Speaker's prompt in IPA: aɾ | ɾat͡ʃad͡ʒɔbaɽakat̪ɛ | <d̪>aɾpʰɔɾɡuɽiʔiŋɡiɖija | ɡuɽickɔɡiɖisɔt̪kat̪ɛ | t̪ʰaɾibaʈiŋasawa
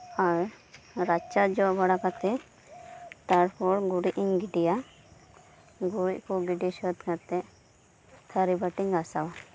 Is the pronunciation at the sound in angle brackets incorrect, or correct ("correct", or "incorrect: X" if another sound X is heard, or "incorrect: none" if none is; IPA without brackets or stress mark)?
incorrect: t̪